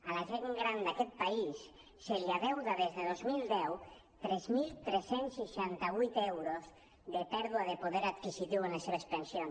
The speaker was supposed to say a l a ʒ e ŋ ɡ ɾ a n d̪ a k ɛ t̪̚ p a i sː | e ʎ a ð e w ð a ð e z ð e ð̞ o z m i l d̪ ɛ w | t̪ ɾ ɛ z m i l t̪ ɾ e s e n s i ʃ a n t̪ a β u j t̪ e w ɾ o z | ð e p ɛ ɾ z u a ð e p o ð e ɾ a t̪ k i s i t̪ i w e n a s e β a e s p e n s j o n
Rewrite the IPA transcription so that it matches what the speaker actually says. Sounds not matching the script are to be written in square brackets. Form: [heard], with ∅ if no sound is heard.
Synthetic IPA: a l a ʒ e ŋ ɡ ɾ a n d̪ a k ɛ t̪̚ p a i sː | e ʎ a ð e w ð a ð e z ð e ð̞ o z m i l d̪ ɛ w | t̪ ɾ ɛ z m i l t̪ ɾ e s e n s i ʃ a n t̪ a β u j t̪ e w ɾ o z | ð e p ɛ ɾ [ð] u a ð e p o ð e ɾ a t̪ k i s i t̪ i w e n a s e β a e s p e n s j o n